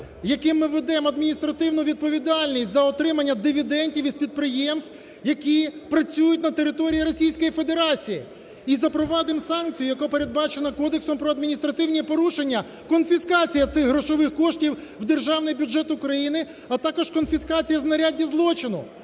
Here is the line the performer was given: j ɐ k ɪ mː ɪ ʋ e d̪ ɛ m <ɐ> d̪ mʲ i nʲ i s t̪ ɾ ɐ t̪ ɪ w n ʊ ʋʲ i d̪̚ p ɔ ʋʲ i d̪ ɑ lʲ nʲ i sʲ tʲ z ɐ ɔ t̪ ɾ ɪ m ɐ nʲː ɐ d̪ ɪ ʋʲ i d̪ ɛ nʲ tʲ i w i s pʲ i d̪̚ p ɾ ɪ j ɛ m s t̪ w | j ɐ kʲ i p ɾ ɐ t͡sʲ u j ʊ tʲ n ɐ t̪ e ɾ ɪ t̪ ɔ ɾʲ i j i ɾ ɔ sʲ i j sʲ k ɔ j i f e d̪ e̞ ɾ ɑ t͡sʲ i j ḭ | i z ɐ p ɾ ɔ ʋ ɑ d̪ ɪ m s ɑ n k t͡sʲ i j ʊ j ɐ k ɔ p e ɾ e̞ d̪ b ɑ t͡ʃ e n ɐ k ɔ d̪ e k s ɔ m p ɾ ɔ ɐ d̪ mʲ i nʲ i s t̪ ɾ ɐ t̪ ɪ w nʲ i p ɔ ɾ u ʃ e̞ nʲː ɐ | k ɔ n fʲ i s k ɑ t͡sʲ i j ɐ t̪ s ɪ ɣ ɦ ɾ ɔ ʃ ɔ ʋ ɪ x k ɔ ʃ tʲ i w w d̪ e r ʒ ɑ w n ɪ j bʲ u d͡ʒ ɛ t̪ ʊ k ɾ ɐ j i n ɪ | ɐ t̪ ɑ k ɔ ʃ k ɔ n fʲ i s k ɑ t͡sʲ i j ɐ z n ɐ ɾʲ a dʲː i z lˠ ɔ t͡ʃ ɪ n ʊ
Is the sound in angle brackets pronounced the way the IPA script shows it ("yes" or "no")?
yes